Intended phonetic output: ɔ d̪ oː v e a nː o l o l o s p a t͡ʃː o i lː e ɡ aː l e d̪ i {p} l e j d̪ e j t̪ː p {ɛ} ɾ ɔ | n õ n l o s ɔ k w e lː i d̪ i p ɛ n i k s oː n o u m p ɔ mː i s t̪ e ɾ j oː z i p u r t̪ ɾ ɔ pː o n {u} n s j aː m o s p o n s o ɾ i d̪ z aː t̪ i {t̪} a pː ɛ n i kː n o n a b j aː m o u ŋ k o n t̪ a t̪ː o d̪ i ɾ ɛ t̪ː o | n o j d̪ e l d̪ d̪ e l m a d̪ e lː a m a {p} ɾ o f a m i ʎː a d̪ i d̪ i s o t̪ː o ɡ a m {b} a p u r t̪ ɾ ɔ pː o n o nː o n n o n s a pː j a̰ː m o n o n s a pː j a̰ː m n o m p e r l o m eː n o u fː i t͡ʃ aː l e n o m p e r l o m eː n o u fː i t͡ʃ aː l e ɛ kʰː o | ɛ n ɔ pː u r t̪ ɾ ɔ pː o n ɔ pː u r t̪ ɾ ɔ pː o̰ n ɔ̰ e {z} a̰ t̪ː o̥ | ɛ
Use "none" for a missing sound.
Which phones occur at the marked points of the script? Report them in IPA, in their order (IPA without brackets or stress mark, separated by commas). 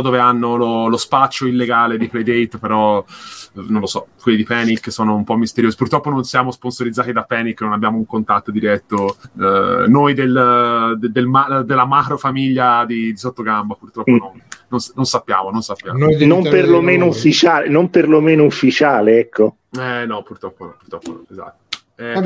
p, e, o, d̪, k, b, z